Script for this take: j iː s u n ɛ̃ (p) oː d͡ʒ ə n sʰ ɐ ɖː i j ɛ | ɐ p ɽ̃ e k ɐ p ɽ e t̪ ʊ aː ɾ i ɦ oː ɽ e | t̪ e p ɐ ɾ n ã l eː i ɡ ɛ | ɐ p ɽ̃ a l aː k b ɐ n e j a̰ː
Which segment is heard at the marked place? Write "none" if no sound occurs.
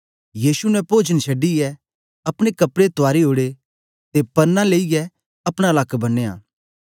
p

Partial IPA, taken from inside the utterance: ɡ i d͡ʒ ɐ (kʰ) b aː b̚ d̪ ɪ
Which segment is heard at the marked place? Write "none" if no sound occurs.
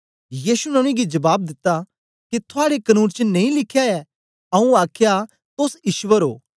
none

